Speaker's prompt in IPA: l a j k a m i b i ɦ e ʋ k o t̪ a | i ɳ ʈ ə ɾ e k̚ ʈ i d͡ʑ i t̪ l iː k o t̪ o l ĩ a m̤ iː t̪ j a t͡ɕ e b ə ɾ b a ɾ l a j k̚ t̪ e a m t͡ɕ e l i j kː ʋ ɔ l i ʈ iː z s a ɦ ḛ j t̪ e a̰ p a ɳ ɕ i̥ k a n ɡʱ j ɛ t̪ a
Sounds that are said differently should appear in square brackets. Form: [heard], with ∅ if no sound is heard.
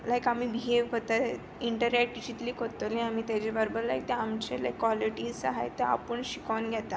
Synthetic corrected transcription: l a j k a m i b i ɦ e ʋ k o t̪ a | i ɳ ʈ ə ɾ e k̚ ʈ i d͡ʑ i t̪ l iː k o t̪ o l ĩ a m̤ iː t̪ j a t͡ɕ e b ə ɾ b [ə] ɾ l a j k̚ t̪ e a m t͡ɕ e l [a] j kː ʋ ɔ l i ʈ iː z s a ɦ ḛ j t̪ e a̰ p [ə] ɳ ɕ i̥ k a n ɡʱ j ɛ t̪ a